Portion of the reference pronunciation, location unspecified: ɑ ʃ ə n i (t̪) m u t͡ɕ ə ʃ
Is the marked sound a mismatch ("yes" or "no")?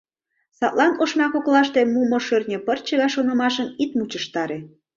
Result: no